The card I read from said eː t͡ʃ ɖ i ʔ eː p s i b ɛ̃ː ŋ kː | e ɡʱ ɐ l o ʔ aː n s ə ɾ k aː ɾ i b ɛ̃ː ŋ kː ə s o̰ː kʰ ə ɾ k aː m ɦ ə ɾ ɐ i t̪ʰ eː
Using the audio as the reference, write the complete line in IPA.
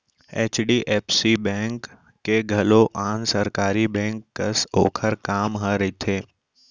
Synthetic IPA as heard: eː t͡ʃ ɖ i ʔ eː p s i b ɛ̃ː ŋ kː | e ɡʱ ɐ l o ʔ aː n s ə ɾ k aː ɾ i b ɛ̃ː ŋ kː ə s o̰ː kʰ ə ɾ k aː m ɦ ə ɾ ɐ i t̪ʰ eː